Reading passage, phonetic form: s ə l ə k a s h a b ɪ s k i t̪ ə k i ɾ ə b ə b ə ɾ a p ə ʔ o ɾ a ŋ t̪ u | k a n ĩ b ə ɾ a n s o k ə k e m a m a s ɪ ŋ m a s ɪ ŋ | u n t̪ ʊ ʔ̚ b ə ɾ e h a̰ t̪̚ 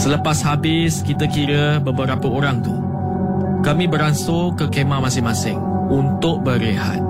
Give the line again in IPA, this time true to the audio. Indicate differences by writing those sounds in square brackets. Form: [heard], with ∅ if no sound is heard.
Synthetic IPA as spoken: s ə l ə [p] a s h a b ɪ s k i t̪ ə k i ɾ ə b ə b ə ɾ a p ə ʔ o ɾ a ŋ t̪ u | k a [m] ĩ b ə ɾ a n s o k ə k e m a m a s ɪ ŋ m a s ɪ ŋ | u n t̪ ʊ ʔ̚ b ə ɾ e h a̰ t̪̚